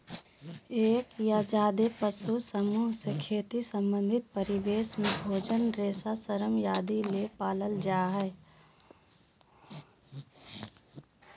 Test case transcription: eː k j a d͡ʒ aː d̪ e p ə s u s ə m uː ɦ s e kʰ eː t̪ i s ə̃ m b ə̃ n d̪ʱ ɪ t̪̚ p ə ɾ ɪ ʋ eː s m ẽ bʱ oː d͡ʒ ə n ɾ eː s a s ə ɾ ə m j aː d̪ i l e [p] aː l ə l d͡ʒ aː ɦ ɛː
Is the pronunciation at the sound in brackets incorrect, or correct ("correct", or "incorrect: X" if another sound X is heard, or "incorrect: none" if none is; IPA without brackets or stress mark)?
correct